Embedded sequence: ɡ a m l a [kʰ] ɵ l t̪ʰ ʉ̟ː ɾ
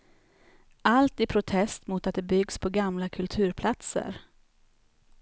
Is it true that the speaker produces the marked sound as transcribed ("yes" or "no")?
yes